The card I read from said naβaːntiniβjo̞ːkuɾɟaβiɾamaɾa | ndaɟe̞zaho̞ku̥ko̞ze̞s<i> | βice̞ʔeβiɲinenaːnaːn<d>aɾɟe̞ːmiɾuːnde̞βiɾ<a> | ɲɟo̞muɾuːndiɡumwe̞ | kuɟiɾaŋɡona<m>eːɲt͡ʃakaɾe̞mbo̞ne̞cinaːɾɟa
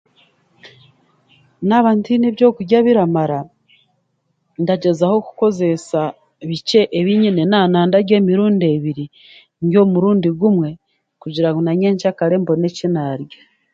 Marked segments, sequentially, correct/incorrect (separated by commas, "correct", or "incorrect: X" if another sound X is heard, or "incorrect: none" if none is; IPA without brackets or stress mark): incorrect: a, correct, incorrect: i, incorrect: ɲ